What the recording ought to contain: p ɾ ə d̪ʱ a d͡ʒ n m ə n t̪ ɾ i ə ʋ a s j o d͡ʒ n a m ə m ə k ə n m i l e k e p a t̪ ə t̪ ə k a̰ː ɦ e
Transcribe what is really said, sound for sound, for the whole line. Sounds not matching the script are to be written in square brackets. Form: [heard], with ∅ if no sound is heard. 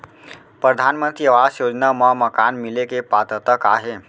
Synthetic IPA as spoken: p ɾ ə d̪ʱ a [∅] n m ə n t̪ ɾ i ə ʋ a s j o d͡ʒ n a m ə m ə k [a] n m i l e k e p a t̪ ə t̪ ə k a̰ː ɦ e